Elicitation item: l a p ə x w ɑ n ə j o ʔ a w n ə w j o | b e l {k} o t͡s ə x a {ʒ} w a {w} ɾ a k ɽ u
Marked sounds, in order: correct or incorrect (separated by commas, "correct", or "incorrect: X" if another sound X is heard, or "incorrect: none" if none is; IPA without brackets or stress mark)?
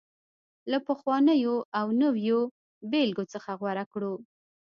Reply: incorrect: ɡ, incorrect: ɣ, incorrect: none